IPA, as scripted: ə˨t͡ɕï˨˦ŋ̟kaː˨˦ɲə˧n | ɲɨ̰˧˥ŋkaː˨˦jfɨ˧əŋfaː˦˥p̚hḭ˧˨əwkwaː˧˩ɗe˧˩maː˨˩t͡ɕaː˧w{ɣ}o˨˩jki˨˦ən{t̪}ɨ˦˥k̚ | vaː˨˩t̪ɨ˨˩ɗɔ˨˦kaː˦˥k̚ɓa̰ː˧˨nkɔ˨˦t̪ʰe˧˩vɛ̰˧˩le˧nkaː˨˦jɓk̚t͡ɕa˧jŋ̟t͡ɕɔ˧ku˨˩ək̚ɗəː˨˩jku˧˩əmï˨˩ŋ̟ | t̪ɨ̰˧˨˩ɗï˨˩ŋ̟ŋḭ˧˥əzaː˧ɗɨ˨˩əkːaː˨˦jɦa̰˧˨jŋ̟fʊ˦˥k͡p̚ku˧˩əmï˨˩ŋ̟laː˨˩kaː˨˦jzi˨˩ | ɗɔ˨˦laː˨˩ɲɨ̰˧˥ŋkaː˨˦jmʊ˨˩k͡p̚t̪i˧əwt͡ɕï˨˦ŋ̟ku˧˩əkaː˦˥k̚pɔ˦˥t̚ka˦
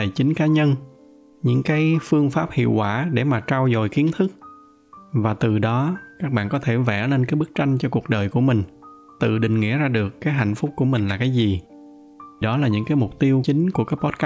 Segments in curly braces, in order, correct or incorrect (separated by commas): incorrect, incorrect